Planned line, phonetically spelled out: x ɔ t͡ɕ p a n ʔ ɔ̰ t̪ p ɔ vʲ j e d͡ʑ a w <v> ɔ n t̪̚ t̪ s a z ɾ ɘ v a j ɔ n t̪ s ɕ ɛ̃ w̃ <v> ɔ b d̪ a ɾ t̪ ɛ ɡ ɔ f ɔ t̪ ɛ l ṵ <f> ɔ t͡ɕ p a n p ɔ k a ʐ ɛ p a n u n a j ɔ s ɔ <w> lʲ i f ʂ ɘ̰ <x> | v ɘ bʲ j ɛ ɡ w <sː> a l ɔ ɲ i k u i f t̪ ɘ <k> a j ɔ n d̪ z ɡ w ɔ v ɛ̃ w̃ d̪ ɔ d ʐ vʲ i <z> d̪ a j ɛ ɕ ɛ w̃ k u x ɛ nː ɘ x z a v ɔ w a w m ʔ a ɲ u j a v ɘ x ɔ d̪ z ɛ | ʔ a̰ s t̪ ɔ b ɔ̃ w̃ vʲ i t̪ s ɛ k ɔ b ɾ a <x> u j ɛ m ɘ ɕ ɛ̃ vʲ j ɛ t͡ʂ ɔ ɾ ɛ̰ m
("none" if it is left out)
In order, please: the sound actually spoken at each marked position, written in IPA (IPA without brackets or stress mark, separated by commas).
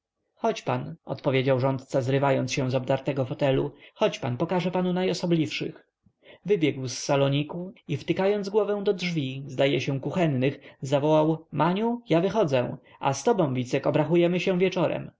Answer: ʐ, z, x, b, x, sː, k, z, x